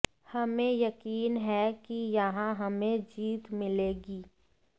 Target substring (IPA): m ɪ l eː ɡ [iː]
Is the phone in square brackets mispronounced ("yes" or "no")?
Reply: no